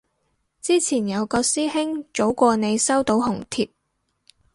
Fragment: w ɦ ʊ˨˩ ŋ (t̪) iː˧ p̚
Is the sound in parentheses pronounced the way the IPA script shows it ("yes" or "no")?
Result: no